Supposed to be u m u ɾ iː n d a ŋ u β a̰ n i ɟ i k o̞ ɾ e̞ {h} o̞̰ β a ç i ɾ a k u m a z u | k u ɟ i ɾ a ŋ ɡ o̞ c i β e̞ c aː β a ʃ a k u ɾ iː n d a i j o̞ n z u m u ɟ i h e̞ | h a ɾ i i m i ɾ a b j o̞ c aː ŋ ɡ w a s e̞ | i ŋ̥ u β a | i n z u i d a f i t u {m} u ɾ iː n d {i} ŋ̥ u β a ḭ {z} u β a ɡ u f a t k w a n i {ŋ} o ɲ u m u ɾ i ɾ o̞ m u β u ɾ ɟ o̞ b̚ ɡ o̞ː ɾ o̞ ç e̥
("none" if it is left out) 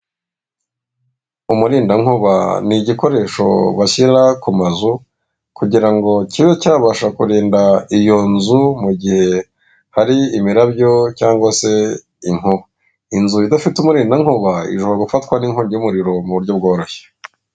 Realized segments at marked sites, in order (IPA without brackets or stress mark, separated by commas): ʃ, m, a, ʒ, ŋ